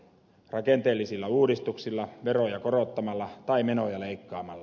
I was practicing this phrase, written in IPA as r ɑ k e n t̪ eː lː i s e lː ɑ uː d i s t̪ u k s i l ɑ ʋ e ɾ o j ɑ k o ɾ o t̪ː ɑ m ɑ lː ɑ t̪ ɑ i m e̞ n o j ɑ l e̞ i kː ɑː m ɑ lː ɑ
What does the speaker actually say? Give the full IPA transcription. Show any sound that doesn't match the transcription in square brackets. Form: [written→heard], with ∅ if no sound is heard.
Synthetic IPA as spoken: r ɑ k e n t̪ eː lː i s [e→i] lː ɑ uː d i s t̪ u k s i [l→lː] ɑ ʋ e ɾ o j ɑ k o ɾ o t̪ː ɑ m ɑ lː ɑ t̪ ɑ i m e̞ n o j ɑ l e̞ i kː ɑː m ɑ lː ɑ